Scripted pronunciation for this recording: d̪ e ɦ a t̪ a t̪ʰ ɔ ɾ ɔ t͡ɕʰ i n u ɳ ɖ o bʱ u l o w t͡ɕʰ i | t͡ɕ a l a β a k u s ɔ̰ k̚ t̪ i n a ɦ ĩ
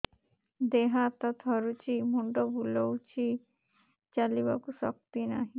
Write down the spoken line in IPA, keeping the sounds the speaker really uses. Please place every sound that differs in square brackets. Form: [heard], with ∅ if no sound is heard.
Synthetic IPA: d̪ e ɦ a t̪ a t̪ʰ ɔ ɾ [u] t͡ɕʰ i [m] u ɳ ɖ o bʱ u l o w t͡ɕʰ i | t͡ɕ a l [i] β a k u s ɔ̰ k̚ t̪ i n a ɦ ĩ